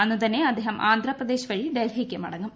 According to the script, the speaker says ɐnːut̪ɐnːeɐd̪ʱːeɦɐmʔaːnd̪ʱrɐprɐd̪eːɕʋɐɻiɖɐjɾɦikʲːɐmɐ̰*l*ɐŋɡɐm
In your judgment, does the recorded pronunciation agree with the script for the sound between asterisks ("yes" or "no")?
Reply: no